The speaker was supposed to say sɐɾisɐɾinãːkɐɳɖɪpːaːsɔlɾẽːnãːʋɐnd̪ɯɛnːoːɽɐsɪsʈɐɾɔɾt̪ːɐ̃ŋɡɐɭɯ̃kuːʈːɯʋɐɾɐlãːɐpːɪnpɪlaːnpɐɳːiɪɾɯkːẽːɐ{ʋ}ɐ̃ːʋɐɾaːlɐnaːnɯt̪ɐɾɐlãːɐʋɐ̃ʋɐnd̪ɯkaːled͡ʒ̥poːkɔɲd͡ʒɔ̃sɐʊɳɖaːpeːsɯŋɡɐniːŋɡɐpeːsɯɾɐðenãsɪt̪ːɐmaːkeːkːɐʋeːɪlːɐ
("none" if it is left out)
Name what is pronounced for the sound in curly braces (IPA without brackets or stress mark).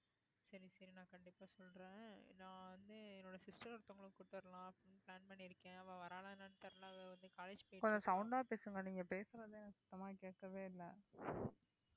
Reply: ʋ